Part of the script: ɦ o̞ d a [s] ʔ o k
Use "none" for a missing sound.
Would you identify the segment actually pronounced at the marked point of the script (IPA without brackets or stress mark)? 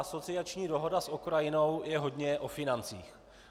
s